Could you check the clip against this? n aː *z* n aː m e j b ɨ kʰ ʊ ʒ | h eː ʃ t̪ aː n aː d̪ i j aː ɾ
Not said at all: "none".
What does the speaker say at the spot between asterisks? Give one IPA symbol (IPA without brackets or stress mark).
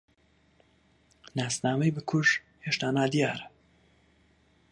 s